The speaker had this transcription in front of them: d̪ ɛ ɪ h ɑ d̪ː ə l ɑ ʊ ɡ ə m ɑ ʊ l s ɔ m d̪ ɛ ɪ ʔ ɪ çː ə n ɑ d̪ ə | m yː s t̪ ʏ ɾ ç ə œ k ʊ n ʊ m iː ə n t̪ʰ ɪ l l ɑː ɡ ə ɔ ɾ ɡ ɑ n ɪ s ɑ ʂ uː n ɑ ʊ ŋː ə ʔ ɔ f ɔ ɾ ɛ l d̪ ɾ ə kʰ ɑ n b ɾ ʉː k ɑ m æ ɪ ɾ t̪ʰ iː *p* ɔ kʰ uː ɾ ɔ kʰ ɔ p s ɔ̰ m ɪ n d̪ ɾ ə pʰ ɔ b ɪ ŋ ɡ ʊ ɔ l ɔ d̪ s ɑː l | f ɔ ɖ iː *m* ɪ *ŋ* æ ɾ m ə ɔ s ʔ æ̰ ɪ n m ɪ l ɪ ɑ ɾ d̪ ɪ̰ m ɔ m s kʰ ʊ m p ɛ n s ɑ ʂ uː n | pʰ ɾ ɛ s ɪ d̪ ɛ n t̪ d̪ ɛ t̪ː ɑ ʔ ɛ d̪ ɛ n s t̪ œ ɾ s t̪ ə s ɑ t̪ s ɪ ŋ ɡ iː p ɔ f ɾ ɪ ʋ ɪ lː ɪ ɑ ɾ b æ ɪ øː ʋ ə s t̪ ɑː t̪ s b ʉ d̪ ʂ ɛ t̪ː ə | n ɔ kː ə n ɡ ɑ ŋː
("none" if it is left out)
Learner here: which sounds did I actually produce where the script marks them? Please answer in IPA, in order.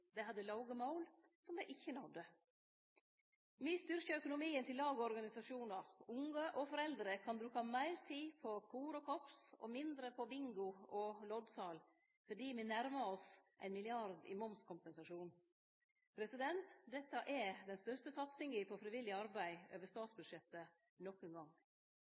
pʰ, m, n

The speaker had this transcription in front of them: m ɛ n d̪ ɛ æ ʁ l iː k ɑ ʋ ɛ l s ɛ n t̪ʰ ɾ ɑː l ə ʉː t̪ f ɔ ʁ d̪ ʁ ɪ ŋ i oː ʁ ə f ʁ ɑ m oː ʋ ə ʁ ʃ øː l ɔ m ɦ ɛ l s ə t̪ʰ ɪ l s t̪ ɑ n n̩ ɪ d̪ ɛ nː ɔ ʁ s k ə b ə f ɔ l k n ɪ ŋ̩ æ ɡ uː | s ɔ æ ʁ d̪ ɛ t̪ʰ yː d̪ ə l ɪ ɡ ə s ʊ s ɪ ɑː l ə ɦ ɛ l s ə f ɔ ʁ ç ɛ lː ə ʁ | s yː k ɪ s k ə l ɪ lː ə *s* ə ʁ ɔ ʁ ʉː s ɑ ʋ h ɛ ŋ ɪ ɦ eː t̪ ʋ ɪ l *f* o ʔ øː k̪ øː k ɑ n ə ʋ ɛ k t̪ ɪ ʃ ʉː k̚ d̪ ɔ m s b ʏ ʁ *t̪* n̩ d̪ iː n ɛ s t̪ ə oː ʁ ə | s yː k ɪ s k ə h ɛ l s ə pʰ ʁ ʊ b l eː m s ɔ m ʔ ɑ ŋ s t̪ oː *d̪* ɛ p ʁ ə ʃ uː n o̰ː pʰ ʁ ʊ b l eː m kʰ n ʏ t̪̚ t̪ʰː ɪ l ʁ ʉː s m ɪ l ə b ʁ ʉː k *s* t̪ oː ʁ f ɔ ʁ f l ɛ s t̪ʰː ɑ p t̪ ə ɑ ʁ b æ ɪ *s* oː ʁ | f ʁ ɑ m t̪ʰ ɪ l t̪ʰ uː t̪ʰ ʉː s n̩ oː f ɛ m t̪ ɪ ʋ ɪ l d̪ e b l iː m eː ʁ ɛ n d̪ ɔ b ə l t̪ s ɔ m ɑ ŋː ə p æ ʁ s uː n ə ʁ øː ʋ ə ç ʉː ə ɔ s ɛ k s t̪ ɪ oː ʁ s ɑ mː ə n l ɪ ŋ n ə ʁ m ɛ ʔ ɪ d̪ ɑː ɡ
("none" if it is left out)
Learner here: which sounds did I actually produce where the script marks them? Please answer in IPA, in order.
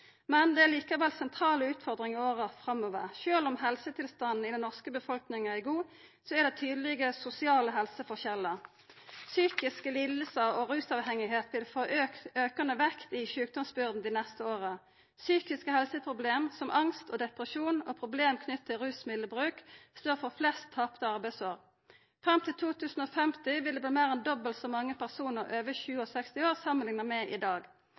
s, f, d̪, d̪, s, s

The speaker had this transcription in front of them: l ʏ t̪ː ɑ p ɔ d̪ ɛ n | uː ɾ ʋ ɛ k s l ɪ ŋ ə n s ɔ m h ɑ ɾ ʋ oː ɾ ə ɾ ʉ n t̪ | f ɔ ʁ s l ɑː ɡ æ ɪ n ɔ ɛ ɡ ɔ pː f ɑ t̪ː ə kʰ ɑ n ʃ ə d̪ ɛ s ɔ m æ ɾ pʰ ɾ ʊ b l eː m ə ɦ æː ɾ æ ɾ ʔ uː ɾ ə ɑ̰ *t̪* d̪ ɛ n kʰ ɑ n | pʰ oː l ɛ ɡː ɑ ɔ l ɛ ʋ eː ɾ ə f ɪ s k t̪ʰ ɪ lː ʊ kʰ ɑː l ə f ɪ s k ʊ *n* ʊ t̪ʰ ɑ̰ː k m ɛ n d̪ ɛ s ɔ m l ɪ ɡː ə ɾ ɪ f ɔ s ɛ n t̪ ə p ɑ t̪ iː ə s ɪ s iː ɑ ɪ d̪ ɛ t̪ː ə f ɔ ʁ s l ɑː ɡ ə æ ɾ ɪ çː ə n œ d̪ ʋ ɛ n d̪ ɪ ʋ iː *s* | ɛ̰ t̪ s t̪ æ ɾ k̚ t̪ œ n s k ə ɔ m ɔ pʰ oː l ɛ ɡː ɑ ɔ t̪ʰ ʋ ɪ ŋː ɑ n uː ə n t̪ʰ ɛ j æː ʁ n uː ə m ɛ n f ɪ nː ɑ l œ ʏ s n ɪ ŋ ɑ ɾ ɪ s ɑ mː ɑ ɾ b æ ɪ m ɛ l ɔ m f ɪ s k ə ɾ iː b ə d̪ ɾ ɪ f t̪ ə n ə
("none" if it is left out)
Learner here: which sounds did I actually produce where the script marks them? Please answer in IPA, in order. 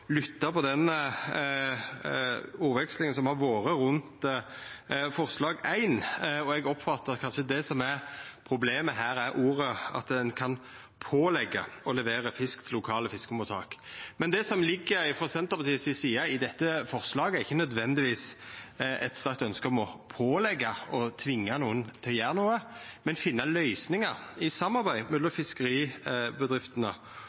t̪, m, s

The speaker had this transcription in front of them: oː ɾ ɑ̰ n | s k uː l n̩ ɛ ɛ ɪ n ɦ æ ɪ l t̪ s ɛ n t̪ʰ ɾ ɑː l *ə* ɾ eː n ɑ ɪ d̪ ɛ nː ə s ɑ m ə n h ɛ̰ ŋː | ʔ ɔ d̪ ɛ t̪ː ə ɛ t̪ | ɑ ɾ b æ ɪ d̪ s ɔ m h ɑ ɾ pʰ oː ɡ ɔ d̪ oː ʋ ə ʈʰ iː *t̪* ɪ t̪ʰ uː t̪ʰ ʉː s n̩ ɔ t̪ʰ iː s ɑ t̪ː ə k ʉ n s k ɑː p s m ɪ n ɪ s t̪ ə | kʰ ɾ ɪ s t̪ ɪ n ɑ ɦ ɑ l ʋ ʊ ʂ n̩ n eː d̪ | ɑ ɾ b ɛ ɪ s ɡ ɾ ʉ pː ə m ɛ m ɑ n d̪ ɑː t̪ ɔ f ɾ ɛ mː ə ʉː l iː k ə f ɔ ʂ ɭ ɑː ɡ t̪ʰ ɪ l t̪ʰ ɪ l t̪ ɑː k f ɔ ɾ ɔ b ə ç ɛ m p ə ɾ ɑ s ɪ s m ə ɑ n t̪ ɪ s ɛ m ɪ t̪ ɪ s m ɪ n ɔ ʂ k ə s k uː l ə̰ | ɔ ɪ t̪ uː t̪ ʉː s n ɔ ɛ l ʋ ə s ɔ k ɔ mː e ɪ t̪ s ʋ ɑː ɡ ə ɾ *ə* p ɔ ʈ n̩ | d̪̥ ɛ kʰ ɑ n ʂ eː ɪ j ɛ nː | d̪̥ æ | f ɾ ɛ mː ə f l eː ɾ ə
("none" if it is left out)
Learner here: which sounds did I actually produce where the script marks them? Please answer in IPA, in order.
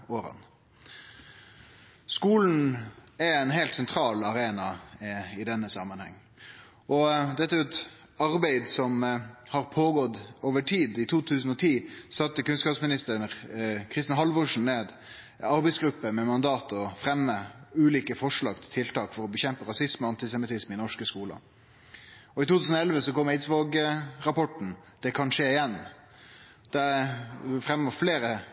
ɑ, d̪, ɑ

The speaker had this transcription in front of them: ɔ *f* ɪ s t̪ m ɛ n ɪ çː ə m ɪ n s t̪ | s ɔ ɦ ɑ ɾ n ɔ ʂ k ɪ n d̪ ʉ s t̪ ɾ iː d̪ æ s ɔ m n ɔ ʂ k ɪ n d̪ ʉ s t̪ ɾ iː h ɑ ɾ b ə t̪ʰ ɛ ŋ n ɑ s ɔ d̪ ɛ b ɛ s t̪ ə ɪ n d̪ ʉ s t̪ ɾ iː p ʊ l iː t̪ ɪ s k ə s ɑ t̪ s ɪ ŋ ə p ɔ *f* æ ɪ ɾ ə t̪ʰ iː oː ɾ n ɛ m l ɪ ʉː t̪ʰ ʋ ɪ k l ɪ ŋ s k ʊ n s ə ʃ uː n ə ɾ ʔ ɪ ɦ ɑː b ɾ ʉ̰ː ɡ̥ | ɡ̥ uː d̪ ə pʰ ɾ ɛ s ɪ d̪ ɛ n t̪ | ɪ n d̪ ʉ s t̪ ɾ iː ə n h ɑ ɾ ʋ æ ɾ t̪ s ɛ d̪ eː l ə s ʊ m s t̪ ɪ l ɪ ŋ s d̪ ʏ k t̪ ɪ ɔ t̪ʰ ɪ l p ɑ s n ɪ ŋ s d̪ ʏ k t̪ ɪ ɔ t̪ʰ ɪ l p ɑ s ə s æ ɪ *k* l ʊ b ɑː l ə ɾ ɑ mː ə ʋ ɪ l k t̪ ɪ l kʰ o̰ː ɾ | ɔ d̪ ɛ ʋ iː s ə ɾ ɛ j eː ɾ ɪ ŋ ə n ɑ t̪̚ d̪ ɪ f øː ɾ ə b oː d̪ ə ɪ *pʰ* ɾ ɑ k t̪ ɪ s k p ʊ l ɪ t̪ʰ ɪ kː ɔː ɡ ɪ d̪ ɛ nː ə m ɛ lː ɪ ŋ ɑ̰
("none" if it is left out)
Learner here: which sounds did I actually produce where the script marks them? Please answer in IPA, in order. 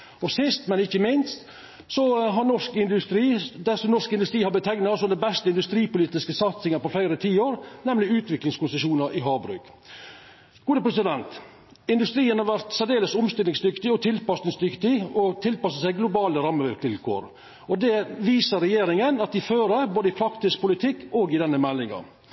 s, f, ɡ, pʰ

